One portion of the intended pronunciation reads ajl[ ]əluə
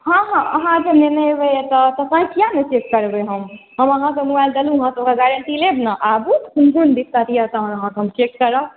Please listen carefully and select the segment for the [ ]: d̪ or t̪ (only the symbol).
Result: d̪